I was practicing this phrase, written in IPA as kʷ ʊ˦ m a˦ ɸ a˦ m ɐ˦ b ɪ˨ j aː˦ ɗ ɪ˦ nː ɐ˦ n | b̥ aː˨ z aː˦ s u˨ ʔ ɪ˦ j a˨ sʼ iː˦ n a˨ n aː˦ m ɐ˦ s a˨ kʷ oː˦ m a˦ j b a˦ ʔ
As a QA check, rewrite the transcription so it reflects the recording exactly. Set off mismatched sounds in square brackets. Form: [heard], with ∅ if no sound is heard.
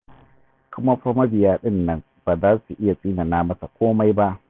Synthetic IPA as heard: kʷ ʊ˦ m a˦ ɸ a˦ m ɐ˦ b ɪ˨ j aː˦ ɗ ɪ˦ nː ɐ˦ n | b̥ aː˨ z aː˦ s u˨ ʔ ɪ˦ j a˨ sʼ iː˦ n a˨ n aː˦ m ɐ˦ s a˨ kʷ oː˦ m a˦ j b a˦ ʔ